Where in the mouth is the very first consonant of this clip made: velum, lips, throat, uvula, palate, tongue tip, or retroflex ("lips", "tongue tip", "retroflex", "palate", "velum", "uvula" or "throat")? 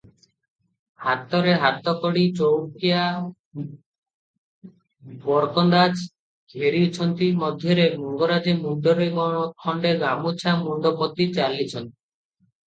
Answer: throat